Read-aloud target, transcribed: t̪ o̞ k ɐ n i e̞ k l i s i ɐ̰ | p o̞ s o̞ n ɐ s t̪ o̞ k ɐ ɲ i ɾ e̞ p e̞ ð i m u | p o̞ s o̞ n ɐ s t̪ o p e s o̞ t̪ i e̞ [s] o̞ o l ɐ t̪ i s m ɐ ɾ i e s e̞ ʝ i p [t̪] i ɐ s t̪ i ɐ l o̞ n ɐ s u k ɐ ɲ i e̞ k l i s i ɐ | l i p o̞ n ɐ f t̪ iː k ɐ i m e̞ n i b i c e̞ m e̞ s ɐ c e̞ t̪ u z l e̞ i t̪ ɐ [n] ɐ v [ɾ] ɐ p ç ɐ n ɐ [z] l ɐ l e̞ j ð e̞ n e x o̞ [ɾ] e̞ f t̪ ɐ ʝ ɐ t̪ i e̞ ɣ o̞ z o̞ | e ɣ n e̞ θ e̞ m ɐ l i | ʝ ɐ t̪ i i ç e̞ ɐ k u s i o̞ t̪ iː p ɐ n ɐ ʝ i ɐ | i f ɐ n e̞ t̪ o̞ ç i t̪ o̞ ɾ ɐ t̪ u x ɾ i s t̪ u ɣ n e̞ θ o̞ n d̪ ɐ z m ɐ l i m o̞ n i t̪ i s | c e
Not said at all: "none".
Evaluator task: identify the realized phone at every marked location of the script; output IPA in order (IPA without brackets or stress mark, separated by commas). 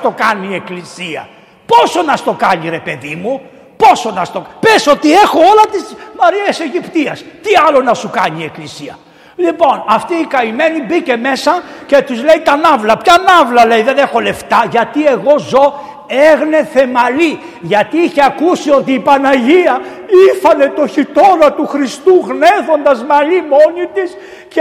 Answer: x, t̪, n, l, v, l